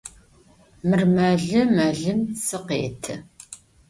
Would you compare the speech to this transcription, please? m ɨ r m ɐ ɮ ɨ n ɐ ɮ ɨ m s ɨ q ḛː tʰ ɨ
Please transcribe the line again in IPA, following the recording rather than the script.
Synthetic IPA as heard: m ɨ r m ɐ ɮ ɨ m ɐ ɮ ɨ m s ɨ q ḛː tʰ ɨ